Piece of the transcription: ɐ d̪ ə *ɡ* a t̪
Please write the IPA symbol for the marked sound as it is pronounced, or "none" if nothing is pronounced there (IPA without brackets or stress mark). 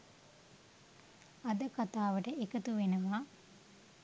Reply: k